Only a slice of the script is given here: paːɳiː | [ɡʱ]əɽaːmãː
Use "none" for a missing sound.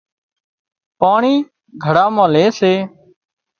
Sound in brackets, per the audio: ɡʱ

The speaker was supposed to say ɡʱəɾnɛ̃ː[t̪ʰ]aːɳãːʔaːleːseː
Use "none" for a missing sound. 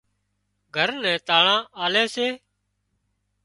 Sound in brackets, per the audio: t̪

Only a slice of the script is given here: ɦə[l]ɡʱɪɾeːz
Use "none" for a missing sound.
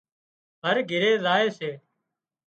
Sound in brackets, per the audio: ɾ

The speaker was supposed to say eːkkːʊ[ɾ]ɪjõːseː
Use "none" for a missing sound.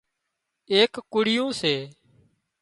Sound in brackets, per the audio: ɽ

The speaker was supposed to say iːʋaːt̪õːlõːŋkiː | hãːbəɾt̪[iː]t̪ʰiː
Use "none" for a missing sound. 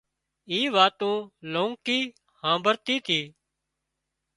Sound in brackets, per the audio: iː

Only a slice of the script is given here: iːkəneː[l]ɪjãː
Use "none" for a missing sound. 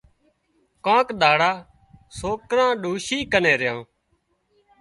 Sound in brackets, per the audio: ɾ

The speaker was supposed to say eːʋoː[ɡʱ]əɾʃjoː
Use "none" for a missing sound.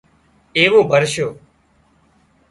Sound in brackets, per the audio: bʱ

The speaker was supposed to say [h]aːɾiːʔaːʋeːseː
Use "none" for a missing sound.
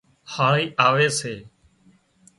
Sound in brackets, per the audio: h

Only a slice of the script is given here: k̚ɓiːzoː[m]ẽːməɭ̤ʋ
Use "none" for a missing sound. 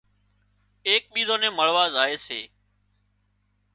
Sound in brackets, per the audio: n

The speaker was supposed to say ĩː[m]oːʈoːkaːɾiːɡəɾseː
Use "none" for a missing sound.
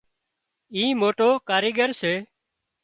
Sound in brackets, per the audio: m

